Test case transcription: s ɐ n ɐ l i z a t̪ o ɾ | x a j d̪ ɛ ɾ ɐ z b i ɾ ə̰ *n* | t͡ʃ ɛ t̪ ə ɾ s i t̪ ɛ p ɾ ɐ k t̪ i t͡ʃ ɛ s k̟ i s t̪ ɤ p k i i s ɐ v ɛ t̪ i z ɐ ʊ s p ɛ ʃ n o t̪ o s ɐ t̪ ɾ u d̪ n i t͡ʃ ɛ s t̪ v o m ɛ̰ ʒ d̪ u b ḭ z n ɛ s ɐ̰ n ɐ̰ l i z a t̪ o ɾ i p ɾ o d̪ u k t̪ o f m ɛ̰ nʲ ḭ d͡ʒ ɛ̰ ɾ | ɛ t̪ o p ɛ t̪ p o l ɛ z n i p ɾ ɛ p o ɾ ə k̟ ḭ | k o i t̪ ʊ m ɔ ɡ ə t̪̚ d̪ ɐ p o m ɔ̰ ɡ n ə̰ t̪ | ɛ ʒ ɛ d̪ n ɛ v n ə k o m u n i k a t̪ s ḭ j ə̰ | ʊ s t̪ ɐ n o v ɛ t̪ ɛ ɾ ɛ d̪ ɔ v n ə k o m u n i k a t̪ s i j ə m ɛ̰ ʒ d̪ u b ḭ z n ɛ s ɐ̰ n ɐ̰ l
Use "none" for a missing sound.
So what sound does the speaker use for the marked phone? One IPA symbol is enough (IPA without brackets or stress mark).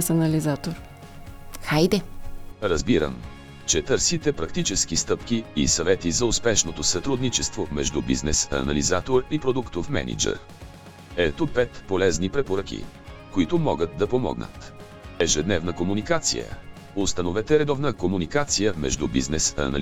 m